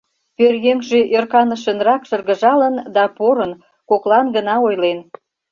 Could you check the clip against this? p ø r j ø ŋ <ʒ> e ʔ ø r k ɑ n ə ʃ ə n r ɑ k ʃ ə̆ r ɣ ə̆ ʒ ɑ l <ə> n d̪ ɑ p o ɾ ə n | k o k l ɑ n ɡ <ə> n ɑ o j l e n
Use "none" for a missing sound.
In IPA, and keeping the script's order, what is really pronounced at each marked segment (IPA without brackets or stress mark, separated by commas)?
ʒ, ə, ə